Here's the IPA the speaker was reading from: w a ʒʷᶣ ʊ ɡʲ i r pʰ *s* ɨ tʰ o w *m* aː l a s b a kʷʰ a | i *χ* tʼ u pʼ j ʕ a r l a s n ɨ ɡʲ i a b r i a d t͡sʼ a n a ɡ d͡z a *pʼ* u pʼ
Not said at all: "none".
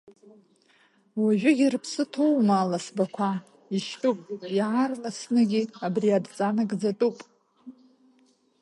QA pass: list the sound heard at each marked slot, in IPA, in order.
s, m, ʃ, tʼ

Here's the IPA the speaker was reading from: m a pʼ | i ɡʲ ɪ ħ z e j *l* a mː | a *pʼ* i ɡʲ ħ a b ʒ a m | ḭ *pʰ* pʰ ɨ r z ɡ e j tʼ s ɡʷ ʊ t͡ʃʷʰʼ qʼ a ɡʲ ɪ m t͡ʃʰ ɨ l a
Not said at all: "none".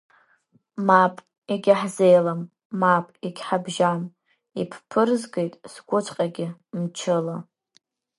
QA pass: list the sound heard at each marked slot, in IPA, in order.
l, pʼ, pʰ

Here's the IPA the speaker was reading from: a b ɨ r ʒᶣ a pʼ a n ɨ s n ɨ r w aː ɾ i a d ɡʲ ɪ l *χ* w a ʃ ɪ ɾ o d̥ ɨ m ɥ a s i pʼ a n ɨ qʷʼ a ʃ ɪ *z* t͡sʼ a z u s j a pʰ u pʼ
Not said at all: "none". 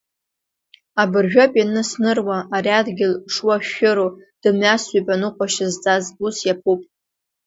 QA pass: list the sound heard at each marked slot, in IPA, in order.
ʂ, z

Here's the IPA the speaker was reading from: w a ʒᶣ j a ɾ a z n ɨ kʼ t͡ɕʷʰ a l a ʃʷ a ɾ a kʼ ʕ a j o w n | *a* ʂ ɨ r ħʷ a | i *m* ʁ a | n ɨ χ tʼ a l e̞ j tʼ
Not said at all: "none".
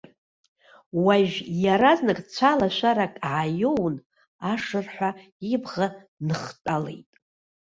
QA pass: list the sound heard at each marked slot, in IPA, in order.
a, b

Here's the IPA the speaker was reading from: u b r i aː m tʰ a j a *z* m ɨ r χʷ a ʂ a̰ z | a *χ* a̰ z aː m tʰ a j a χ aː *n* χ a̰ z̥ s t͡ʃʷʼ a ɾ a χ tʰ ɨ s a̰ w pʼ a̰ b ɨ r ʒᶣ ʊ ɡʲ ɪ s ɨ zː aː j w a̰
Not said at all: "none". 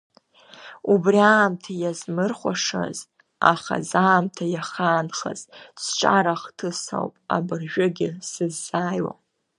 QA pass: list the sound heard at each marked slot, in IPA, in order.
z, χ, n

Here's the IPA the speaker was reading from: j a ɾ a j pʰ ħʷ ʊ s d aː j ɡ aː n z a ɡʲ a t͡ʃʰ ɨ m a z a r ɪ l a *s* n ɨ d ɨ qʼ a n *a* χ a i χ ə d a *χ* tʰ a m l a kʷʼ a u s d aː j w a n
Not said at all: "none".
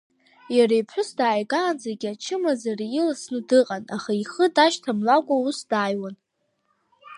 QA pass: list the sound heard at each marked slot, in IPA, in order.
s, a, ʃ

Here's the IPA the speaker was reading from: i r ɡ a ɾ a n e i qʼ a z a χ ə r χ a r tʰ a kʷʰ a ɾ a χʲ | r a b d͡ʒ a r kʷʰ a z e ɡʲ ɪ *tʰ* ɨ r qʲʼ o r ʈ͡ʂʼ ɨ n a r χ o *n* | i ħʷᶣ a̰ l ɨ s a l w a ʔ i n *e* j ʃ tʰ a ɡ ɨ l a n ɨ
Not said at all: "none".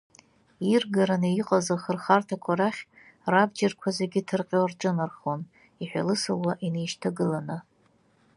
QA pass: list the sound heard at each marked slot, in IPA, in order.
tʰ, n, e

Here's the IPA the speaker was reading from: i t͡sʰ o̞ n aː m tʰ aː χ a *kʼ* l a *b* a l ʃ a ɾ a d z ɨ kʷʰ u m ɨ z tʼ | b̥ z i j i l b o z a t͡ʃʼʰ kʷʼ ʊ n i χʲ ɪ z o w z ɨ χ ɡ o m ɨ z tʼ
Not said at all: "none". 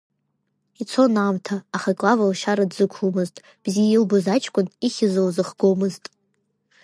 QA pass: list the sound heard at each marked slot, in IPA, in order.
kʼ, v

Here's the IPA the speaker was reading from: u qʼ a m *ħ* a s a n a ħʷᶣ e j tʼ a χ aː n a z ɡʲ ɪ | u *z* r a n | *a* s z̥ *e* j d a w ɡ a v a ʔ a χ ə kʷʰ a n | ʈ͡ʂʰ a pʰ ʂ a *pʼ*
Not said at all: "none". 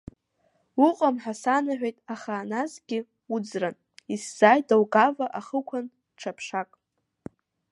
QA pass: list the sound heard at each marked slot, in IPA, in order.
ħ, d͡z, i, a, kʼ

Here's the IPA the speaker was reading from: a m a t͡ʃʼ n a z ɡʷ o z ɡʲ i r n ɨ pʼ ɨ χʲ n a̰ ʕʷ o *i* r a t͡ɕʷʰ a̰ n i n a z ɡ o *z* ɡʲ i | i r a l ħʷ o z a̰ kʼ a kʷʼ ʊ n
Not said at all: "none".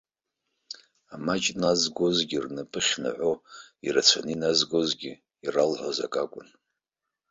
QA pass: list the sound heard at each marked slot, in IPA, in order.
i, z

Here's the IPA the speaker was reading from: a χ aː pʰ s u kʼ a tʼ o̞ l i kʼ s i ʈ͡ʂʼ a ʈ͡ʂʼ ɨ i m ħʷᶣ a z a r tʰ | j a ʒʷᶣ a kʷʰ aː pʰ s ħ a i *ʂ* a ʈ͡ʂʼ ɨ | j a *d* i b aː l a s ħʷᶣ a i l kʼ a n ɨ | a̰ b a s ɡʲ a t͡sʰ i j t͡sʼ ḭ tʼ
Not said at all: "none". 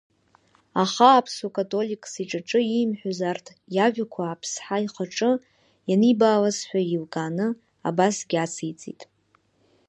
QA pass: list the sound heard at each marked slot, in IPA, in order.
χ, n

